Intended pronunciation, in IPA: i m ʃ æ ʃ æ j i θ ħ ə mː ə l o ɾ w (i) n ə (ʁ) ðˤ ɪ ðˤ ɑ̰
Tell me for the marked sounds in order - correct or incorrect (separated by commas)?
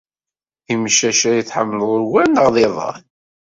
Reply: incorrect, correct